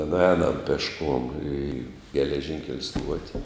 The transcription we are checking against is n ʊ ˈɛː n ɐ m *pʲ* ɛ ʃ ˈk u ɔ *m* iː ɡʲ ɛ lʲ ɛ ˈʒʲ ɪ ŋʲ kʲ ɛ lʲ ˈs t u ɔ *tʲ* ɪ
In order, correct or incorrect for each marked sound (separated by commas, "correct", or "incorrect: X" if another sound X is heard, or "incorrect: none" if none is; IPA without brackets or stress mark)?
correct, correct, correct